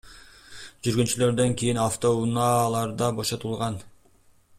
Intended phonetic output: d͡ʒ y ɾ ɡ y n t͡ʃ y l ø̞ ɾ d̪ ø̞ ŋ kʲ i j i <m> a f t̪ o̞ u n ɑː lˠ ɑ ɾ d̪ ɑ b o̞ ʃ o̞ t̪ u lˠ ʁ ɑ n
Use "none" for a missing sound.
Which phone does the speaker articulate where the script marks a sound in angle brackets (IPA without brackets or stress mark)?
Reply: n